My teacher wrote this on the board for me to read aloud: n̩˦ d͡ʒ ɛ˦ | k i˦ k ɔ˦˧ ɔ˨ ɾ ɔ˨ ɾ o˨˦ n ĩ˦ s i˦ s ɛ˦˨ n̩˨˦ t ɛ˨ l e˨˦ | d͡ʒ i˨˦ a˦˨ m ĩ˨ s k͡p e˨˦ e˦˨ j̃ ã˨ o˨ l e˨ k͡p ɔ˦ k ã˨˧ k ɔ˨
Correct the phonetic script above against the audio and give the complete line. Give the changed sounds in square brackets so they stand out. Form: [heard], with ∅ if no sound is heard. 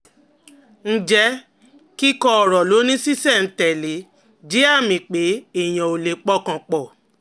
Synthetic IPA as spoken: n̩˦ d͡ʒ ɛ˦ | k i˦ k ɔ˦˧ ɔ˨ ɾ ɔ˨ [l] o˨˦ n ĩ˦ s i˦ s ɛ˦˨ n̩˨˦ t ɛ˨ l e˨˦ | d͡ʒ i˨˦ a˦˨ m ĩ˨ [∅] k͡p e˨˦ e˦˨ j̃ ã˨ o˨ l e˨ k͡p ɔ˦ k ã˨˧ [k͡p] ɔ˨